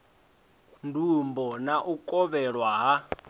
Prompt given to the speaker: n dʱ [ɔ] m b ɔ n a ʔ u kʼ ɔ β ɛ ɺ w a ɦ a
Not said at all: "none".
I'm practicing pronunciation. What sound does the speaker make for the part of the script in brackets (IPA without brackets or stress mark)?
u